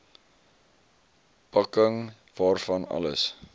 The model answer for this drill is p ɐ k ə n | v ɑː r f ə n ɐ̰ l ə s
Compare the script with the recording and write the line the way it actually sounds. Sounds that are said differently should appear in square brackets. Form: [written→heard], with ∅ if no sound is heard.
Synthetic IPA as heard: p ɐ k ə [n→ŋ] | v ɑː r f [ə→ɐ] n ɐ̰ l ə s